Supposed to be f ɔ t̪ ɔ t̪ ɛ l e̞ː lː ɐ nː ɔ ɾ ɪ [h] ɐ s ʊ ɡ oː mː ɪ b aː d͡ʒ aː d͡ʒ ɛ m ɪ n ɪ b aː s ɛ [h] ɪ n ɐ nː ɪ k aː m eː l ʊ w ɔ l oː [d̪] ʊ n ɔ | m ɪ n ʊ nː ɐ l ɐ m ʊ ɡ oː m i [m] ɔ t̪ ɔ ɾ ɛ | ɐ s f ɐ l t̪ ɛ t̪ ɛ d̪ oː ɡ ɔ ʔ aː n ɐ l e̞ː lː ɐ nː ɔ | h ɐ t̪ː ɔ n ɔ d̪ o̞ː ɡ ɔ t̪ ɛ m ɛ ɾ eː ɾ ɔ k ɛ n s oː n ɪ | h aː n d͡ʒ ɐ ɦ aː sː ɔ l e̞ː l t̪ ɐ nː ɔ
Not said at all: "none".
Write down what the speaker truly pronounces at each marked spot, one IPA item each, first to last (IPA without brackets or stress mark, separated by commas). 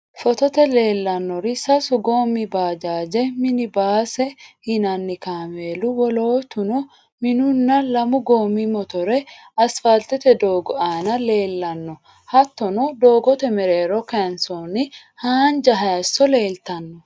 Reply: s, h, t̪, m